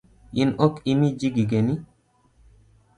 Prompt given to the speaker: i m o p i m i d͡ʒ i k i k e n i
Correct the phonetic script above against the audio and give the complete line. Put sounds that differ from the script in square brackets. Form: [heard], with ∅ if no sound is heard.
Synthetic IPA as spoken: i [n] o [k] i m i d͡ʒ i [ɡ] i [ɡ] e n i